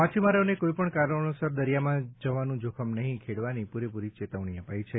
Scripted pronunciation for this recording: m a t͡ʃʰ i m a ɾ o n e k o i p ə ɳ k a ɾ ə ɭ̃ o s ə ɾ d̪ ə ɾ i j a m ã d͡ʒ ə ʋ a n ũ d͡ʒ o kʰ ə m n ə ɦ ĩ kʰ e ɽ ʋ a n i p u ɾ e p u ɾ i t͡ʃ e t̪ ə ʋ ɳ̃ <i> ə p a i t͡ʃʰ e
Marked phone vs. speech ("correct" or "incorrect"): correct